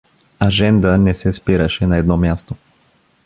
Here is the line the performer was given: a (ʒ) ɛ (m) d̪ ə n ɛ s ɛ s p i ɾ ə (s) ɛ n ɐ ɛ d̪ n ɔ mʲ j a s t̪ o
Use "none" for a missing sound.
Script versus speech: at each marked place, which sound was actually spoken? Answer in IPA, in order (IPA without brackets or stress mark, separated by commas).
ʒ, n, ʃ